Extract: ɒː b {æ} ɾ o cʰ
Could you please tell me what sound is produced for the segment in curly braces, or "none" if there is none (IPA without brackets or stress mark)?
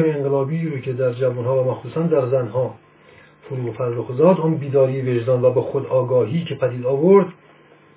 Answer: i